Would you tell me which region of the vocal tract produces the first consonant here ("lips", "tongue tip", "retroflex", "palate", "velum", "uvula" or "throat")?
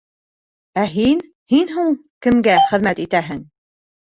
throat